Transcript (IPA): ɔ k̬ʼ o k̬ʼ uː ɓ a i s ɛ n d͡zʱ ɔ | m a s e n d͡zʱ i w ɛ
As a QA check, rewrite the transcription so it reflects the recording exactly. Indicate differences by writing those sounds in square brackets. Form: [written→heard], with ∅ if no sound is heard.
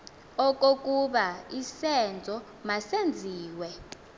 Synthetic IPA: ɔ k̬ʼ o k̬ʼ [uː→u] ɓ a i s ɛ n d͡zʱ ɔ | m a s e n d͡zʱ [i→iː] w ɛ